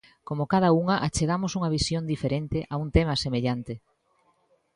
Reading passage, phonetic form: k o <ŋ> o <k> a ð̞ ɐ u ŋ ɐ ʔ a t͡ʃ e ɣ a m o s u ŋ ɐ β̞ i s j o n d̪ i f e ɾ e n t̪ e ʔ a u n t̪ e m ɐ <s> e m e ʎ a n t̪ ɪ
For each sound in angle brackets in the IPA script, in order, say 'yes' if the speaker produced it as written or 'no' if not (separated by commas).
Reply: no, yes, yes